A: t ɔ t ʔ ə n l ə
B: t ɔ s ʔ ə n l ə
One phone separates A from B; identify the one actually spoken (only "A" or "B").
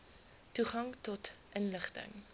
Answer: A